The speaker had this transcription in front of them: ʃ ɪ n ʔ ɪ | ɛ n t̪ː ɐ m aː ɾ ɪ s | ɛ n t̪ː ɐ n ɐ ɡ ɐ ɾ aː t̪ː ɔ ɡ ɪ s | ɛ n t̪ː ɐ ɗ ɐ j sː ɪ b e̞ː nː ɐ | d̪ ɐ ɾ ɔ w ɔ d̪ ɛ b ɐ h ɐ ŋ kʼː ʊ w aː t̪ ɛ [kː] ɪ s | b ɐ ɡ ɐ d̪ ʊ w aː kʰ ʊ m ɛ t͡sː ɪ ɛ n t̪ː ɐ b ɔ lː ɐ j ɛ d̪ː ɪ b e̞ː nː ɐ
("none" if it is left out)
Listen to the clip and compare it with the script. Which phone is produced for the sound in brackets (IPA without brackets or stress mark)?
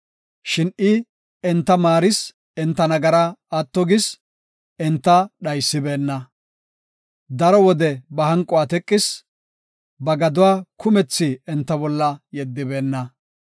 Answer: kʼː